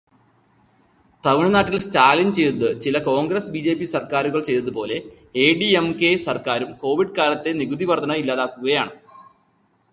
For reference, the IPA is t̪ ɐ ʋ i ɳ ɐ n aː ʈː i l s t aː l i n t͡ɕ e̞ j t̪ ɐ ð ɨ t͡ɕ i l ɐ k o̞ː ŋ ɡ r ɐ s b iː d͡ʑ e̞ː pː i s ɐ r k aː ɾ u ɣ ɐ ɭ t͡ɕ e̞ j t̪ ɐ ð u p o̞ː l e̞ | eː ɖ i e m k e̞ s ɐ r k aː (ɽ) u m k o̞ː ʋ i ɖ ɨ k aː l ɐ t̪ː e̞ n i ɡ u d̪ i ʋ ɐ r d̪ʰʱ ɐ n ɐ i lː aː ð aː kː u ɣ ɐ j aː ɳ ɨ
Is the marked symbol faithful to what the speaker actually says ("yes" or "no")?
no